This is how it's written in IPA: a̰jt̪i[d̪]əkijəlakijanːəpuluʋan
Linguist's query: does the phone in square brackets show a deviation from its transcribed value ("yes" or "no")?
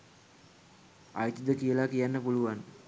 no